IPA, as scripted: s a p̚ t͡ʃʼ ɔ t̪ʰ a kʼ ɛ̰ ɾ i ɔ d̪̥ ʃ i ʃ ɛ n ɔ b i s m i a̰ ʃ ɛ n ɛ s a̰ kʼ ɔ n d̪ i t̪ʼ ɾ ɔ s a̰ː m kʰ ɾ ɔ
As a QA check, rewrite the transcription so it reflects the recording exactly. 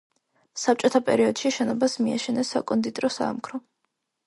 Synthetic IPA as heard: s a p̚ t͡ʃʼ ɔ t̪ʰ a pʼ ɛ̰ ɾ i ɔ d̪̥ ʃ i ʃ ɛ n ɔ b a s m i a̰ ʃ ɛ n ɛ s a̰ kʼ ɔ n d̪ i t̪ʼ ɾ ɔ s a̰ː m kʰ ɾ ɔ